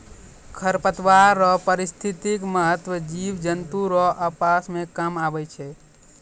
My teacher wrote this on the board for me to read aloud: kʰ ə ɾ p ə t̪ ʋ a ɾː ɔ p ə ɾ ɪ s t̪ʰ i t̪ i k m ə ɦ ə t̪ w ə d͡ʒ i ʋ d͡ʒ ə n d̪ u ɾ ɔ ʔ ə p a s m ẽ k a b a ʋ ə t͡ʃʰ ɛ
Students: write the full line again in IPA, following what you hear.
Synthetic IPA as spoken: kʰ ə ɾ p ə t̪ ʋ a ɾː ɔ p ə ɾ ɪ s t̪ʰ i t̪ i k m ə ɦ ə t̪ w ə d͡ʒ i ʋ d͡ʒ ə n t̪ u ɾ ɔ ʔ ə p a s m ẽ k a m a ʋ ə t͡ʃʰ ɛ